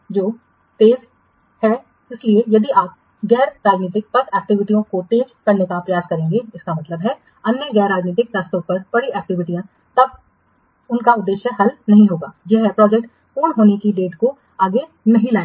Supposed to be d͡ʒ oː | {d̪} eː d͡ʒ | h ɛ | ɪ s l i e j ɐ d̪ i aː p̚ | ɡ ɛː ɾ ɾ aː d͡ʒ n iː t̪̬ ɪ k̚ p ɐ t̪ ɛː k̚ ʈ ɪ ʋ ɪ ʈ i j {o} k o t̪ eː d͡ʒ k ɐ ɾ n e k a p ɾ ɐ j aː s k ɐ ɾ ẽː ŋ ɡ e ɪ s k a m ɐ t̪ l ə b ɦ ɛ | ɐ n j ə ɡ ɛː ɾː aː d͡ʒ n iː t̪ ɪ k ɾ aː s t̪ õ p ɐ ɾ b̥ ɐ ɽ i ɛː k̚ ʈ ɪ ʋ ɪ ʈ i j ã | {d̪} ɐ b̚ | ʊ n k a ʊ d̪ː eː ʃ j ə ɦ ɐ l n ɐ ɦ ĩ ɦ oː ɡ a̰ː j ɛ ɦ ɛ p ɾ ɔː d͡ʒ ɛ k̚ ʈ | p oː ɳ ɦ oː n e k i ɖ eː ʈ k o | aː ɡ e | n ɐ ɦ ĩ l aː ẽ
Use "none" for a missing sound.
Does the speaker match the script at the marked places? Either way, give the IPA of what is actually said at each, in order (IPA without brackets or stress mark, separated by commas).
t̪, õ, t̪